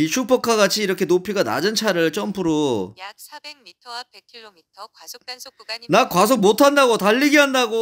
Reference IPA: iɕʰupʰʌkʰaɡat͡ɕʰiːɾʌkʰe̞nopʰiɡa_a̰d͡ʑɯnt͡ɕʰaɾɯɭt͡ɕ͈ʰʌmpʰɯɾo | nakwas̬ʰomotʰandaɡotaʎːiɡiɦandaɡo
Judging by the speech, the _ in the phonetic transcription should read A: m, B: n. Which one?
B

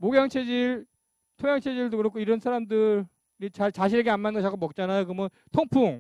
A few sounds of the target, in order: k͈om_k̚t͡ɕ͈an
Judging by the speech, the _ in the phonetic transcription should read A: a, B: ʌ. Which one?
B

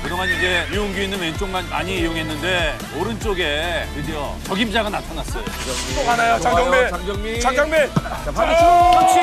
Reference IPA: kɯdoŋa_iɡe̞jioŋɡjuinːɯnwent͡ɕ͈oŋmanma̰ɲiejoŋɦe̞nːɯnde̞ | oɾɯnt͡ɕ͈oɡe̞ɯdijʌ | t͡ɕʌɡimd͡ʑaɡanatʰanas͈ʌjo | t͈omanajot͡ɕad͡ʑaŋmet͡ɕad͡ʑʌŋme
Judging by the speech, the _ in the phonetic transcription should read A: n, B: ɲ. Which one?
A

